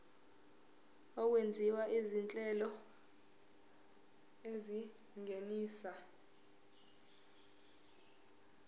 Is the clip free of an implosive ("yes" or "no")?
yes